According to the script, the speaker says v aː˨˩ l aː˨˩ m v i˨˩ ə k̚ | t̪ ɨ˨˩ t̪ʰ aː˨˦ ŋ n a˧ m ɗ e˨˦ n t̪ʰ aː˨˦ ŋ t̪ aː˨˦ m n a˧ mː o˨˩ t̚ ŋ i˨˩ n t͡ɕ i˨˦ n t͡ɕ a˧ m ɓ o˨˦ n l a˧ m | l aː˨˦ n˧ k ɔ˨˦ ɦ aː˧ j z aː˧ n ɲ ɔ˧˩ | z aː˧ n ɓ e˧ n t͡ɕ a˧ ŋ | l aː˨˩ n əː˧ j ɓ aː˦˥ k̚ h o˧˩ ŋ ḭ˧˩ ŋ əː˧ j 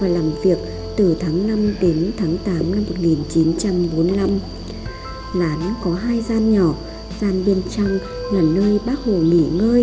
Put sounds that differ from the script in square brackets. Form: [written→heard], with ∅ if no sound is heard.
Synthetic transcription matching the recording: v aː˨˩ l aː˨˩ m v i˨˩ ə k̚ | t̪ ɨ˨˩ t̪ʰ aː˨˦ ŋ n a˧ m ɗ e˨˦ n t̪ʰ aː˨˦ ŋ t̪ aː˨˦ m n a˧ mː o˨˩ t̚ ŋ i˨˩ n t͡ɕ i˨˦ n t͡ɕ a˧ m ɓ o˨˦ n l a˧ m | l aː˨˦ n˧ k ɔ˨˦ ɦ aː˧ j z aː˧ n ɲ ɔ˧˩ | z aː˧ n ɓ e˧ n t͡ɕ a˧ ŋ | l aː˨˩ n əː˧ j ɓ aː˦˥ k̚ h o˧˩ ŋ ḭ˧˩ ŋ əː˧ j